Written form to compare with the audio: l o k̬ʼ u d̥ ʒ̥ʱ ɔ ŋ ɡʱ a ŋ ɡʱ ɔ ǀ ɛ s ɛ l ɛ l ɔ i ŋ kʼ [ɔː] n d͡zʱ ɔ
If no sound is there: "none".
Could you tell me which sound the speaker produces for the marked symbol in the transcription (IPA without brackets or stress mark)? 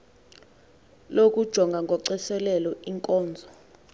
ɔː